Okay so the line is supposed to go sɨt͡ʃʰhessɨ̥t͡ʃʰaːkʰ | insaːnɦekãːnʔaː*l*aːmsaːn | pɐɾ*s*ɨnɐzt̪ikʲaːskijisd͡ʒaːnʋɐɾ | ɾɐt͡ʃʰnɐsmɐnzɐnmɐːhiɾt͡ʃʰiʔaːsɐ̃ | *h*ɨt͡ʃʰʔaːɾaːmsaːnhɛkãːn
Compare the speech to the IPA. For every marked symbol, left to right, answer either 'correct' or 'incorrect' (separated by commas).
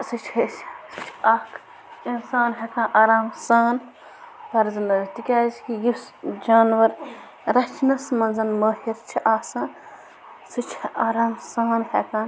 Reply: incorrect, incorrect, incorrect